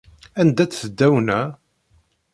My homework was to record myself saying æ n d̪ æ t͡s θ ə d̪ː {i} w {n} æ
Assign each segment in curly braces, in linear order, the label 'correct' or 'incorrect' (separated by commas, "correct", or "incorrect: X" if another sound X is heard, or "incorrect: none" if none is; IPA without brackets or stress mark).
incorrect: æ, correct